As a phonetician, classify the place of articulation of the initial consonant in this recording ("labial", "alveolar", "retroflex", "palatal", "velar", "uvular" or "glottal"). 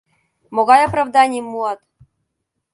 labial